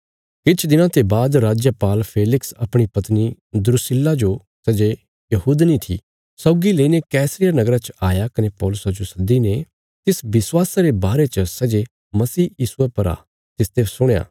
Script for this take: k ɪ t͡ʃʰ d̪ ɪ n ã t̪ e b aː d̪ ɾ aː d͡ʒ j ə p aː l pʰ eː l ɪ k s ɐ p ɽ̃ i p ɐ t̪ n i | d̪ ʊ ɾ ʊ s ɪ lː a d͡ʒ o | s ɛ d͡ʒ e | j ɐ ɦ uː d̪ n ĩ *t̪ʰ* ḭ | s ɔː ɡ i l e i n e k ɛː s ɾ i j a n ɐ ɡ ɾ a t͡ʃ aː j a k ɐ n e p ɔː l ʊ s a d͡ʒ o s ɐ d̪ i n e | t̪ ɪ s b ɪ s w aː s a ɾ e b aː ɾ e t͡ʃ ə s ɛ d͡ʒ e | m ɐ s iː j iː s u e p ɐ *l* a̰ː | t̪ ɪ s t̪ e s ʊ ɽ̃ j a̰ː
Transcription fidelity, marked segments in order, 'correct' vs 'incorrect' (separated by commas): correct, incorrect